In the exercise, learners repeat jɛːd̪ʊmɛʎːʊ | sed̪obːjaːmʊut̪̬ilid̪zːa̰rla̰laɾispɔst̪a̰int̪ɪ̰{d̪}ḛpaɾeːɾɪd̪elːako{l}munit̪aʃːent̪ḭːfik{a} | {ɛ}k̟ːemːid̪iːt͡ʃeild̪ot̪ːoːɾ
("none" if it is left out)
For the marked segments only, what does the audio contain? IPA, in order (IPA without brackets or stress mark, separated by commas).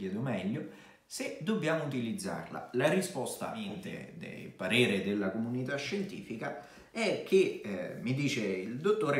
d̪, none, a, ɛ